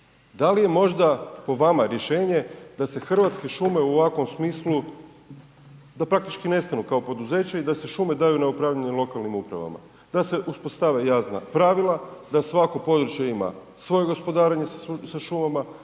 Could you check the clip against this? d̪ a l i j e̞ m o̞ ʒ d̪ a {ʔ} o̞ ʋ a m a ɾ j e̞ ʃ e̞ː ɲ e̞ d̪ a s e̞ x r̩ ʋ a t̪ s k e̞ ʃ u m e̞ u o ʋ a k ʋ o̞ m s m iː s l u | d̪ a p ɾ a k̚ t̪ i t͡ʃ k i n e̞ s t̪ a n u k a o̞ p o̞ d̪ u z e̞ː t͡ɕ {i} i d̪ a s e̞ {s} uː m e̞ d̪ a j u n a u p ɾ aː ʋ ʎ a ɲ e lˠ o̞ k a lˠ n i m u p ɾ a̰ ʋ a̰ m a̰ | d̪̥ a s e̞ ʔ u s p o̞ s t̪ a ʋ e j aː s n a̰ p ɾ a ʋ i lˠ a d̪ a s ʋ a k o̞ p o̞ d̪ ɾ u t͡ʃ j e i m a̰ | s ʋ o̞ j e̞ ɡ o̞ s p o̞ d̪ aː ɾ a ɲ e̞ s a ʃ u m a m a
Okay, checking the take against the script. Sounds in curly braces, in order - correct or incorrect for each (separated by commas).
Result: incorrect, incorrect, incorrect